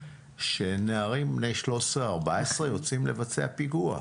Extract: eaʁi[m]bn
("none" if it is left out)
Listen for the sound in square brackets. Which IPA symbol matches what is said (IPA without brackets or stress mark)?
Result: m